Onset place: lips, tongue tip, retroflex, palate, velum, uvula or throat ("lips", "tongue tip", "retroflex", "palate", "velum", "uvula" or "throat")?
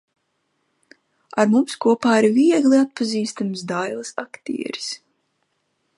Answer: tongue tip